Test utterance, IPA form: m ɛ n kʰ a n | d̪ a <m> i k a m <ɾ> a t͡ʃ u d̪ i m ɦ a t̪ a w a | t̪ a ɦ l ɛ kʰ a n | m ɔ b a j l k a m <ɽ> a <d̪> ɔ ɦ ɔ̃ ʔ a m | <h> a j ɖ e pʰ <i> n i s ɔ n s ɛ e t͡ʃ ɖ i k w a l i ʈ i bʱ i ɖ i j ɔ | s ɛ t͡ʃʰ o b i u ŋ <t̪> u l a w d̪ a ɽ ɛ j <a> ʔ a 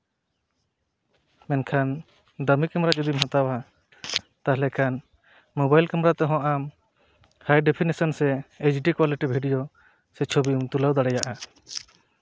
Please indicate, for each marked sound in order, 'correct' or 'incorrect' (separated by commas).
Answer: correct, correct, incorrect, incorrect, correct, correct, correct, correct